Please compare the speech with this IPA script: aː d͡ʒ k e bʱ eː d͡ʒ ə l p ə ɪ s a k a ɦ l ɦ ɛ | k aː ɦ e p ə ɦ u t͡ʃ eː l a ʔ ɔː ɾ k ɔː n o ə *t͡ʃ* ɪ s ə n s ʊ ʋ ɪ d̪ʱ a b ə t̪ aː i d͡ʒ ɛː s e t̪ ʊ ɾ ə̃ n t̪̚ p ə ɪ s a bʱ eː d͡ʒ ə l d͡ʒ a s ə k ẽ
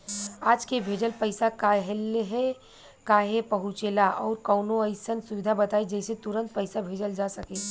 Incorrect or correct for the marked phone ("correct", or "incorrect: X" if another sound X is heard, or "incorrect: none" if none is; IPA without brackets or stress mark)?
incorrect: none